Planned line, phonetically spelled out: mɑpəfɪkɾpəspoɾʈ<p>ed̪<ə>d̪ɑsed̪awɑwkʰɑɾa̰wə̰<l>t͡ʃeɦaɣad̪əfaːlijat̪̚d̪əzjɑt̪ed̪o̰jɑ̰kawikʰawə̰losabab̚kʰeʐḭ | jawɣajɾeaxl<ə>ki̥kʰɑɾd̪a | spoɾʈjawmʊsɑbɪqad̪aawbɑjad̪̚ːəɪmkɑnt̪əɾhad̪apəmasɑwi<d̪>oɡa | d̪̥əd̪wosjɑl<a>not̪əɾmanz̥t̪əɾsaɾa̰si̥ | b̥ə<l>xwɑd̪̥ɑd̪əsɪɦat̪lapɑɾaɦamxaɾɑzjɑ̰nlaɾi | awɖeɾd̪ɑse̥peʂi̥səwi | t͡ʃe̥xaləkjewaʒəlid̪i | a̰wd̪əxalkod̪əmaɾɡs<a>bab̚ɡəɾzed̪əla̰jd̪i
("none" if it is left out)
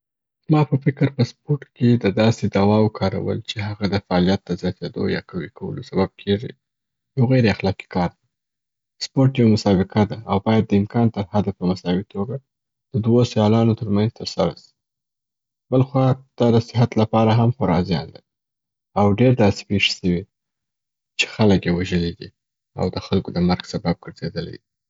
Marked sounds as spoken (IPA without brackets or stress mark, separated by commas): k, ə, l, ɑ, t̪, ɑ, l, a